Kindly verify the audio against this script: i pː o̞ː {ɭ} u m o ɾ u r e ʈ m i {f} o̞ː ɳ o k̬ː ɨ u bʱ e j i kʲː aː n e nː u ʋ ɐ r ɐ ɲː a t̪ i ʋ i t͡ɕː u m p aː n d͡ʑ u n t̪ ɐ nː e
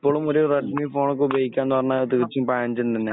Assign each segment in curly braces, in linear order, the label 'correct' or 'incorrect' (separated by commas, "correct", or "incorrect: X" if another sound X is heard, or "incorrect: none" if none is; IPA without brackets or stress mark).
correct, correct